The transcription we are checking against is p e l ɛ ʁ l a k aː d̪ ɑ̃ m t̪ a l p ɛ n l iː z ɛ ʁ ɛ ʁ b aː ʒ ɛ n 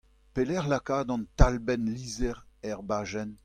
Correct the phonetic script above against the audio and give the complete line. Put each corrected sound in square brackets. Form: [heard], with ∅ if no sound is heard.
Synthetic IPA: p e l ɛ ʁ l a k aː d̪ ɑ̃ [n] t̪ a l [b] ɛ n l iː z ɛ ʁ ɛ ʁ b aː ʒ ɛ n